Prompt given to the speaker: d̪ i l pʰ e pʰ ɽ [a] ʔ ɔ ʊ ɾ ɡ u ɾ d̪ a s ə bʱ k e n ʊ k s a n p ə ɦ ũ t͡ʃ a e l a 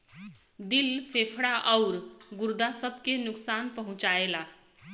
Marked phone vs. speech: correct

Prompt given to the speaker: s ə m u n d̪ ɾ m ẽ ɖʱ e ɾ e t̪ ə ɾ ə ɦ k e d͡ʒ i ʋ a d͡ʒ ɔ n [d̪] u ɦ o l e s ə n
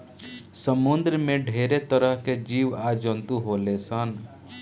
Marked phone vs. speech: incorrect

